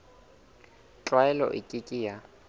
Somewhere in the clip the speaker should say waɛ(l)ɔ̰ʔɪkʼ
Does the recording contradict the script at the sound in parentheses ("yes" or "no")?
no